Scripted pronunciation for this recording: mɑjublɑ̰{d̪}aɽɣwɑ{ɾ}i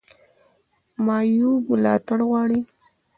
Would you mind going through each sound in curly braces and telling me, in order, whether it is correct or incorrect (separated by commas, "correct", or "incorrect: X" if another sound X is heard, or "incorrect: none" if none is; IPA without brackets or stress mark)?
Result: incorrect: t̪, incorrect: ɽ